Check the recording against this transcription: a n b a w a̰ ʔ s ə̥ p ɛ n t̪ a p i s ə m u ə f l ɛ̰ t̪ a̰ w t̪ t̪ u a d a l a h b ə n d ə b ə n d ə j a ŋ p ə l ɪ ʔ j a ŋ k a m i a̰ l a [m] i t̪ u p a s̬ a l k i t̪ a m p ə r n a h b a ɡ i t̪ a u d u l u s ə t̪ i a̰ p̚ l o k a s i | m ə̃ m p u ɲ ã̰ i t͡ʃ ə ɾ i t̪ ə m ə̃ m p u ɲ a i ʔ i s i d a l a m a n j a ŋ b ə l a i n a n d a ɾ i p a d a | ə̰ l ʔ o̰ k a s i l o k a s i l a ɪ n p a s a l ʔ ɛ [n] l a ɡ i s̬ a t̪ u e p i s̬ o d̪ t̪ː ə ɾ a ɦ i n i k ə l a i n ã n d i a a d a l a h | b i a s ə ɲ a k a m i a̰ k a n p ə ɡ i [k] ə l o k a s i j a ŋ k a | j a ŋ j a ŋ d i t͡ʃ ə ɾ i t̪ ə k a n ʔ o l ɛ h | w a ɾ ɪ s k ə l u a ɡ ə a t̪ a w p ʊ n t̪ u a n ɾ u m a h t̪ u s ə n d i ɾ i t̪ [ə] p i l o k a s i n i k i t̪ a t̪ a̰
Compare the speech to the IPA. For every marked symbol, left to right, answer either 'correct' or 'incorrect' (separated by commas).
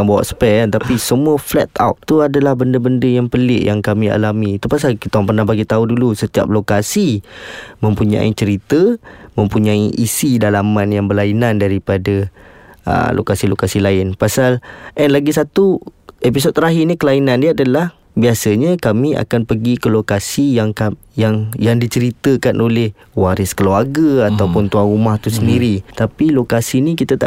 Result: correct, correct, correct, incorrect